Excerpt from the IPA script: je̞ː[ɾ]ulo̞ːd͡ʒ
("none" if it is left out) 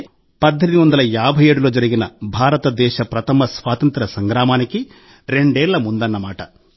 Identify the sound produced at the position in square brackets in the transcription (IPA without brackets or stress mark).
ɽ